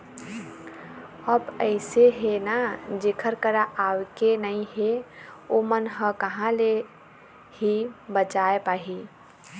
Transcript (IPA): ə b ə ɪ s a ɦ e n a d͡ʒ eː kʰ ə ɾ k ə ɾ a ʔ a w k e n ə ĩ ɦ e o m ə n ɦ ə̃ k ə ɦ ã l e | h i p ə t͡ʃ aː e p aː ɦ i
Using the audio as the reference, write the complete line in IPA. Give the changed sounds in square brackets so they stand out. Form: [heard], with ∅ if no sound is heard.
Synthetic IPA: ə b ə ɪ s [e] ɦ e n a d͡ʒ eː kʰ ə ɾ k ə ɾ a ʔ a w k e n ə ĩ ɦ e o m ə n ɦ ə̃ k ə ɦ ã l e | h i [b] ə t͡ʃ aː e p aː ɦ i